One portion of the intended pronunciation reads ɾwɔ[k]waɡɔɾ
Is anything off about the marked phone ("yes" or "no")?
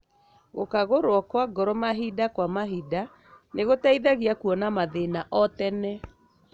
no